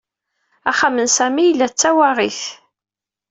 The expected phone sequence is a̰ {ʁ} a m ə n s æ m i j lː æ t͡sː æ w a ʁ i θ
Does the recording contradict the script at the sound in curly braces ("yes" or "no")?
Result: yes